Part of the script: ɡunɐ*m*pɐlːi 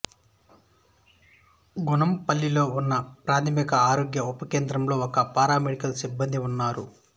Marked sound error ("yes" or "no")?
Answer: no